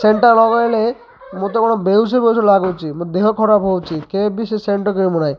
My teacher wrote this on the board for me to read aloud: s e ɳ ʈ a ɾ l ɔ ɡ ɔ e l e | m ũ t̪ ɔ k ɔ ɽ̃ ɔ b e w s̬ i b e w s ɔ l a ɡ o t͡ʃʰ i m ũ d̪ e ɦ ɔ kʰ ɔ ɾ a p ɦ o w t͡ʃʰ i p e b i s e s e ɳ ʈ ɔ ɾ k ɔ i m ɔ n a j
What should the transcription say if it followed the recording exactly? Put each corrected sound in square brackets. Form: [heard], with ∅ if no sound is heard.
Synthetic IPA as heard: s e ɳ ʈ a ɾ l ɔ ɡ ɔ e l e | m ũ t̪ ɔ k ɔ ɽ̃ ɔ b e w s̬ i b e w s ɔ l a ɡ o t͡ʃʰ i m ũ d̪ e ɦ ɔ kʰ ɔ ɾ a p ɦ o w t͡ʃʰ i [k] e b i s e s e ɳ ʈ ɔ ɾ k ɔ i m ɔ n a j